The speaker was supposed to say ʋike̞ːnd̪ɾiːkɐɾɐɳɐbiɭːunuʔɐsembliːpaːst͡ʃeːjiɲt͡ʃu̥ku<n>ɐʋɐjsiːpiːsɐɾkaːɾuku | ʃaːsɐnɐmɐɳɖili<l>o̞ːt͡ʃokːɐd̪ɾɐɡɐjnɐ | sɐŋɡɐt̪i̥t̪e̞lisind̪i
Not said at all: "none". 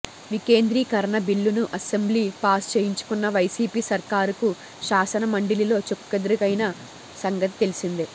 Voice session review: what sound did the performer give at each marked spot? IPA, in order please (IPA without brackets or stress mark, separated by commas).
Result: nː, l